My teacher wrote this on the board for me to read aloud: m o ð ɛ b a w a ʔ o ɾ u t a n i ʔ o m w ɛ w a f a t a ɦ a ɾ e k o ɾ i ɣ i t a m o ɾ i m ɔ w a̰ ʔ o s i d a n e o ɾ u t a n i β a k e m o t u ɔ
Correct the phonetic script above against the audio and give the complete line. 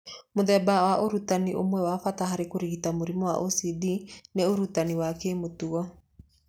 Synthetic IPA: m o ð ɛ b a w a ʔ o ɾ u t a n i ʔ o m w ɛ w a f a t a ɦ a ɾ e k o ɾ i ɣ i t a m o ɾ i m ɔ w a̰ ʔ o s i d i n e o ɾ u t a n i w a k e m o t u ɔ